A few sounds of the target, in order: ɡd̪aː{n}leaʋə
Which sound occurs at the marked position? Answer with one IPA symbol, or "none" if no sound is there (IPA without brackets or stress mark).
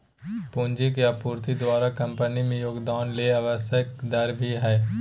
n